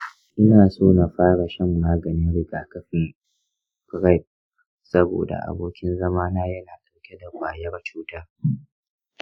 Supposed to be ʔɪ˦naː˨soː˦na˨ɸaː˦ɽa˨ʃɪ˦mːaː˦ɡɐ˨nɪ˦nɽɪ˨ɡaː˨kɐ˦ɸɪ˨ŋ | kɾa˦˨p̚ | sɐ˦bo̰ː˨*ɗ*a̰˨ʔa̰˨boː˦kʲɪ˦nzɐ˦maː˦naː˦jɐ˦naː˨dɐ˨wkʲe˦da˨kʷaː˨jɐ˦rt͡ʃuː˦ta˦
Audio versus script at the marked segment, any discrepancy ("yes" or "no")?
yes